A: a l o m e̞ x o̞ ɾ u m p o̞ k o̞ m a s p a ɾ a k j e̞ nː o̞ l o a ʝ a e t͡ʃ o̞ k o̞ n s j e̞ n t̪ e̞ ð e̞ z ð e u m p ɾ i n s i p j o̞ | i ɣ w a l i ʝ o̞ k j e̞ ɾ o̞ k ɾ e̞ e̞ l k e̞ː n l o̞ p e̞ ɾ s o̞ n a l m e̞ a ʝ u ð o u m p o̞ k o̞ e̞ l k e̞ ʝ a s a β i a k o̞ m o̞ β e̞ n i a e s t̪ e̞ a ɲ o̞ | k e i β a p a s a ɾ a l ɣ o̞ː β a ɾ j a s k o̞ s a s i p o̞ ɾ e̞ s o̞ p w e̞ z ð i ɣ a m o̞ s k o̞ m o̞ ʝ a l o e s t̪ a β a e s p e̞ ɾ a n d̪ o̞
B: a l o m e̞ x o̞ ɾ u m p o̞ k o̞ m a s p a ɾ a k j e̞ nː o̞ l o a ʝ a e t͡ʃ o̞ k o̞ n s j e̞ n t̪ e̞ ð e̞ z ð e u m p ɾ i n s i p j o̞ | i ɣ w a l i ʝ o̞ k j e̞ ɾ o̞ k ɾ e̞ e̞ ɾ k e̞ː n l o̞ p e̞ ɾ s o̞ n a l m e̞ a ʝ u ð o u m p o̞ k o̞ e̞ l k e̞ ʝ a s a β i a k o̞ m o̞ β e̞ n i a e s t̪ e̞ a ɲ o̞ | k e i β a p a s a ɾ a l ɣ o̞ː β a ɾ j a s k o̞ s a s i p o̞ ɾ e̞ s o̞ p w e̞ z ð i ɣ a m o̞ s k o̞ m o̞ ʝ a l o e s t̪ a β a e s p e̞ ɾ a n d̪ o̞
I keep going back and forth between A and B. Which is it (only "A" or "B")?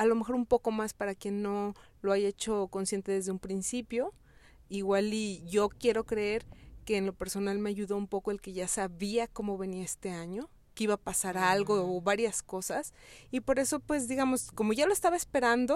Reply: B